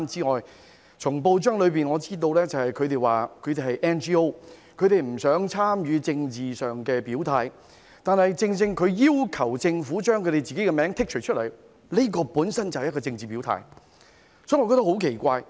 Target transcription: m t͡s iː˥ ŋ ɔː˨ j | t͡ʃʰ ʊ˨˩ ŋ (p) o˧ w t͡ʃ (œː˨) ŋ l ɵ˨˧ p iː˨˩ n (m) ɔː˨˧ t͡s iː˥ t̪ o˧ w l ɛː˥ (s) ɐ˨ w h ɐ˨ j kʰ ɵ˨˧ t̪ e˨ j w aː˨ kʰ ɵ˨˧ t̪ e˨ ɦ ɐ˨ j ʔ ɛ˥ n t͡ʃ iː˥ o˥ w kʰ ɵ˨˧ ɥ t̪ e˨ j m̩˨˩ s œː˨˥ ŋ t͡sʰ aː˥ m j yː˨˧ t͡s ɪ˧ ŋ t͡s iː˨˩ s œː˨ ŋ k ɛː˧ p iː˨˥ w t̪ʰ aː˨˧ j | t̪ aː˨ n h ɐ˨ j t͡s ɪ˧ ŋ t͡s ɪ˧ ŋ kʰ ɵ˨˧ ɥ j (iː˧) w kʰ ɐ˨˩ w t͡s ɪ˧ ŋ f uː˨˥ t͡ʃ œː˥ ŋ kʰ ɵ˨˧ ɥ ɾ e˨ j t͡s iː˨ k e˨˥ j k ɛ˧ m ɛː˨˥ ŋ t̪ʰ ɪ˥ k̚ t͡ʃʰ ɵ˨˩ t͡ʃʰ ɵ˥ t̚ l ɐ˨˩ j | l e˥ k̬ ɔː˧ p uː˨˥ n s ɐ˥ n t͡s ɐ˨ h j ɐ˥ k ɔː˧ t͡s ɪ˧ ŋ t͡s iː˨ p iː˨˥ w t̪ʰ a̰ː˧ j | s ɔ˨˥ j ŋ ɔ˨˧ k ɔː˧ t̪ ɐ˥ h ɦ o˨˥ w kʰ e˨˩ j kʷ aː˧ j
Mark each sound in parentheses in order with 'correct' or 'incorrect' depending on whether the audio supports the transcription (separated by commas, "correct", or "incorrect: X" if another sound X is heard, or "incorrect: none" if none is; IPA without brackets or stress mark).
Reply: correct, incorrect: œː˥, incorrect: ŋ, incorrect: t͡s, incorrect: iː˥